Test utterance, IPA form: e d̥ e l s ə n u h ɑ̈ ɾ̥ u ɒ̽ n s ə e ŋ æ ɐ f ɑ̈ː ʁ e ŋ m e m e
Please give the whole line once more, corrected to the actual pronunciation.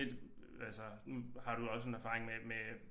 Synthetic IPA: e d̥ æ l s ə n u h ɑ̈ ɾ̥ u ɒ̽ s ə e n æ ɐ f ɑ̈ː ʁ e ŋ m e m e